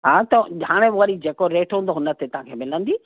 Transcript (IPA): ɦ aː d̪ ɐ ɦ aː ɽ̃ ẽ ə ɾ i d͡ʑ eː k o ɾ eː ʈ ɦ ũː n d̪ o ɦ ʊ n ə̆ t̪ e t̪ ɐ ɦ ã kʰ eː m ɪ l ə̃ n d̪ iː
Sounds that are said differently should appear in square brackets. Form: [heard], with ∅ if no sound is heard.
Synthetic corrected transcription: ɦ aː [t̪] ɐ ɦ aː ɽ̃ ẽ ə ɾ i d͡ʑ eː k o ɾ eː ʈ ɦ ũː n d̪ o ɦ ʊ n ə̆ t̪ e t̪ ɐ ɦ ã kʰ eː m ɪ l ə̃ n d̪ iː